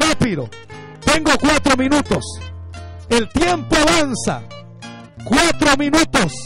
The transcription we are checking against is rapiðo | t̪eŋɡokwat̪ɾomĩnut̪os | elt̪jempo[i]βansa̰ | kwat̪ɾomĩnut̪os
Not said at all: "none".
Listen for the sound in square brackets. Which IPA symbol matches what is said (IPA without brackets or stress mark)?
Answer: a